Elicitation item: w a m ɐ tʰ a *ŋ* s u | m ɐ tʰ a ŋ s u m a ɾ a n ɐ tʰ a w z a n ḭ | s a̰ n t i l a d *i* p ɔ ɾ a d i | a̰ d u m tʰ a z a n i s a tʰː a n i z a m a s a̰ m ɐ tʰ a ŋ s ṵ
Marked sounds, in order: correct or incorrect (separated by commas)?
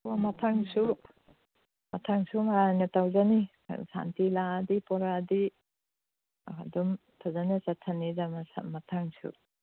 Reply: correct, correct